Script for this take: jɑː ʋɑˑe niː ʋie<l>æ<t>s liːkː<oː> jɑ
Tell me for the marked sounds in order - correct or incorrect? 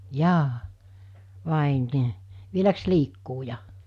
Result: correct, incorrect, incorrect

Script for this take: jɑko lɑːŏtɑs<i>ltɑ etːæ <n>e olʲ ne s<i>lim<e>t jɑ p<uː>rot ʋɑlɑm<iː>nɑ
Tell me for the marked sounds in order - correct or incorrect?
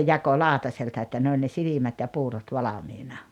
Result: incorrect, correct, correct, incorrect, correct, correct

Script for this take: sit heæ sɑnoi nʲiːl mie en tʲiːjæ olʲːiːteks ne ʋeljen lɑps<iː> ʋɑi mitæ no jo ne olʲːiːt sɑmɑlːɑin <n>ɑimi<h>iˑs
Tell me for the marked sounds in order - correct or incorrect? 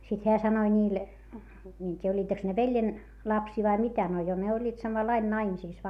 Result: correct, correct, incorrect

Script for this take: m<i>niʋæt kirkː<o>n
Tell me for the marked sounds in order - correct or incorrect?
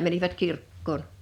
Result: incorrect, incorrect

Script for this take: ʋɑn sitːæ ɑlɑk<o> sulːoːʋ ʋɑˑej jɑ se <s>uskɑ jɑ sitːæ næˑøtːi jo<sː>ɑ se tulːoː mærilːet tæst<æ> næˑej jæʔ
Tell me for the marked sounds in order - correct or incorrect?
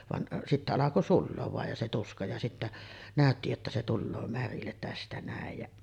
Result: correct, incorrect, incorrect, correct

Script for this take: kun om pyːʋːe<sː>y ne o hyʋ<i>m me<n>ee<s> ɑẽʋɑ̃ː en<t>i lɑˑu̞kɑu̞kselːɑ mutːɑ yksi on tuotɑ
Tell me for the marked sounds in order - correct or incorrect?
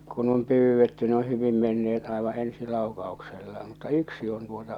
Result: incorrect, correct, incorrect, incorrect, incorrect

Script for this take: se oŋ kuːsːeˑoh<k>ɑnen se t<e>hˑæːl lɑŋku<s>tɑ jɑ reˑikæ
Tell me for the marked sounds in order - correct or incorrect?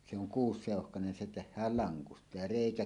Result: correct, correct, correct

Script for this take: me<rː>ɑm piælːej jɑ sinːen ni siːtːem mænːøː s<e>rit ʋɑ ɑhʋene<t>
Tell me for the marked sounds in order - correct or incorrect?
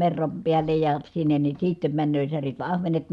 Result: correct, incorrect, correct

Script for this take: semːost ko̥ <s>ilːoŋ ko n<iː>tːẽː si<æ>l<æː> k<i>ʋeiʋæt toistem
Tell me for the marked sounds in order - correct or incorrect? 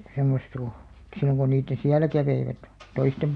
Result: correct, correct, correct, incorrect, incorrect

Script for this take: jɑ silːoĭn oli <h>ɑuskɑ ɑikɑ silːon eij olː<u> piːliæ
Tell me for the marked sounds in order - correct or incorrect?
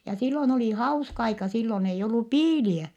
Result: correct, correct

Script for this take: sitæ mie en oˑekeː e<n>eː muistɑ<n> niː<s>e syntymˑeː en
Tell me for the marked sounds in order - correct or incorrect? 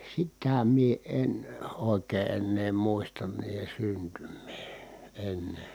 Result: incorrect, correct, incorrect

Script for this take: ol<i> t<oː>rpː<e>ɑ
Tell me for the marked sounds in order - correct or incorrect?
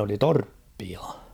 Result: correct, incorrect, incorrect

